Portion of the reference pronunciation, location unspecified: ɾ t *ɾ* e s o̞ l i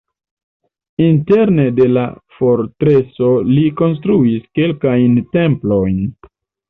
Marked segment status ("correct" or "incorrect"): correct